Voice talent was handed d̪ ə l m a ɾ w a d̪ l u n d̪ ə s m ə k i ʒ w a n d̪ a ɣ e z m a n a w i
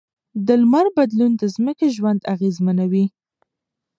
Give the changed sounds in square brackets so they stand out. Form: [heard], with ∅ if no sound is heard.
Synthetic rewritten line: d̪ ə l m a ɾ [b] a d̪ l u n d̪ ə [z] m ə k [e] ʒ w a n d̪ a ɣ e z m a n a w i